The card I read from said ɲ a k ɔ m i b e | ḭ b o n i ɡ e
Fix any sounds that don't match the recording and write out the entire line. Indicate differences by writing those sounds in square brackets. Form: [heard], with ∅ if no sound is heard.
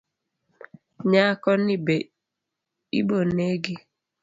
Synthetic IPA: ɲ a k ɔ [n] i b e | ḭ b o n [e] ɡ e